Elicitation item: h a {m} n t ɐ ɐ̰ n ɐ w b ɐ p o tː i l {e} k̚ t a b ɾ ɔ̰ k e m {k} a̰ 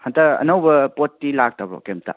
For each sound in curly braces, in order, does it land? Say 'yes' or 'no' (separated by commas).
no, no, no